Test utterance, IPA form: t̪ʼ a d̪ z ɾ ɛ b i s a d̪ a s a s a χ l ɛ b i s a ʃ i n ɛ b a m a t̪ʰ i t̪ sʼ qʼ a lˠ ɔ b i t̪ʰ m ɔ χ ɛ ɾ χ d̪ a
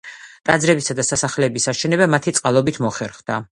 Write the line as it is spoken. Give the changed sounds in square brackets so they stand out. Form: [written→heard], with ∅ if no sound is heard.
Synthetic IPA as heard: t̪ʼ a d̪ z ɾ ɛ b i s a d̪ a s a s a χ l ɛ b i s a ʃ [i→ɛ] n ɛ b a m a t̪ʰ i t̪ sʼ qʼ a lˠ ɔ b i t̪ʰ m ɔ χ ɛ ɾ χ d̪ a